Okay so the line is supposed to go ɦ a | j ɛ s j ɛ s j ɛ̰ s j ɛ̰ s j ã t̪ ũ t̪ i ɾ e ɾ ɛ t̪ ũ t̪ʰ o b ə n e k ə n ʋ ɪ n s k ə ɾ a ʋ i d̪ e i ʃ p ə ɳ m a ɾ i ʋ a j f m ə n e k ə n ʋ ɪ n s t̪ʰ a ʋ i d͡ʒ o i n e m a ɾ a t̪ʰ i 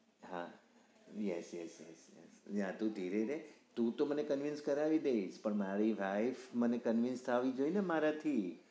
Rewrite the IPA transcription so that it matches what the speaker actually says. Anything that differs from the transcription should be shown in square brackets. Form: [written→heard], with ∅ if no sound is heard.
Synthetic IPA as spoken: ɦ a | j ɛ s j ɛ s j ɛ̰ s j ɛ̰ s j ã t̪ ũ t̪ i ɾ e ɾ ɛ t̪ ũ [t̪ʰ→t̪] o [b→m] ə n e k ə n ʋ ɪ n s k ə ɾ a ʋ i d̪ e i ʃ p ə ɳ m a ɾ i ʋ a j f m ə n e k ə n ʋ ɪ n s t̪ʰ a ʋ i d͡ʒ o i n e m a ɾ a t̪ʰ i